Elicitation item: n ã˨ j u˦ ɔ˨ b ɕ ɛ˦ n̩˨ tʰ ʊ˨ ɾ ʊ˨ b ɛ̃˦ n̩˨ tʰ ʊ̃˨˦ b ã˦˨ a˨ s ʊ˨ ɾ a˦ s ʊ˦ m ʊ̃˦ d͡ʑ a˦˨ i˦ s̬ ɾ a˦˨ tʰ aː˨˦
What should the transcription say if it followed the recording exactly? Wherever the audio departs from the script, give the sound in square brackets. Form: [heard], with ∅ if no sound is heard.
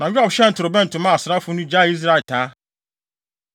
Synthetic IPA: n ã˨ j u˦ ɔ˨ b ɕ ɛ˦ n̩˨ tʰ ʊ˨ ɾ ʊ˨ b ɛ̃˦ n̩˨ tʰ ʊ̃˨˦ [m] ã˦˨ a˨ s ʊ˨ ɾ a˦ [f] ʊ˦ [n] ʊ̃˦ d͡ʑ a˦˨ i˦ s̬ ɾ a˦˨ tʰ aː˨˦